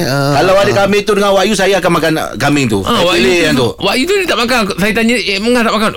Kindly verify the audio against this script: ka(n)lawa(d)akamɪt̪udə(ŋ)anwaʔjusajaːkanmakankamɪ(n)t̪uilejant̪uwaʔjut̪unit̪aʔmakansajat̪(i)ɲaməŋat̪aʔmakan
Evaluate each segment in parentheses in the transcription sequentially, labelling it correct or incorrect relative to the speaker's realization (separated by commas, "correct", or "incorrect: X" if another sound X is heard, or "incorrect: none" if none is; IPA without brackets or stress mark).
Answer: incorrect: none, correct, correct, incorrect: ŋ, incorrect: a